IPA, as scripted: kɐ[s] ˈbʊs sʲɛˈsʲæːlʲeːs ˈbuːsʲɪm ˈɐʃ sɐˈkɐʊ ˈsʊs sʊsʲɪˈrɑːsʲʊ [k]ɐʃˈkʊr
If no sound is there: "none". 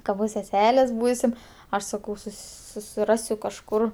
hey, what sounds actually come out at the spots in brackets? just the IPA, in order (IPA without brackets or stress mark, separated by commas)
none, k